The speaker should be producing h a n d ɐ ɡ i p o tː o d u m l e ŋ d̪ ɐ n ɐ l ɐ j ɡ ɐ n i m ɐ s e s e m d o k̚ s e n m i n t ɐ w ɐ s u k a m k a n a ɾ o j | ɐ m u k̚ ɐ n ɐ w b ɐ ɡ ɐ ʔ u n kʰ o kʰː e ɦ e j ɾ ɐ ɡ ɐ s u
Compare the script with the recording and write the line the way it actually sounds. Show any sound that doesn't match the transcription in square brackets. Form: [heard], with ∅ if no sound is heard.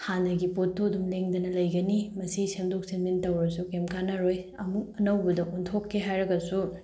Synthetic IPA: h a n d ɐ ɡ i p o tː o d u m l e ŋ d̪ ɐ n ɐ l ɐ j ɡ ɐ n i m ɐ s [i] s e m d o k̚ s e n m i n t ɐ w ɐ s u k [e] m k a n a ɾ o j | ɐ m u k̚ ɐ n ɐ w b ɐ [d] ɐ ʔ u n [tʰ] o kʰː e ɦ [a] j ɾ ɐ ɡ ɐ s u